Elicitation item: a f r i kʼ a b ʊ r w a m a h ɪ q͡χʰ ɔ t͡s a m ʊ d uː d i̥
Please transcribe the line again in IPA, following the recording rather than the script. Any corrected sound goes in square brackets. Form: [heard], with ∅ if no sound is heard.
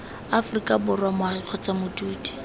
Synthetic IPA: a f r i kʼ a b ʊ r w a m a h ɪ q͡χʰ ɔ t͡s a m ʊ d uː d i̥